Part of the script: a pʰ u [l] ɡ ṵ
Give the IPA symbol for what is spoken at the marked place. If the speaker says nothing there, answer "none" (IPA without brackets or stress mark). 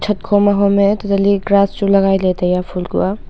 l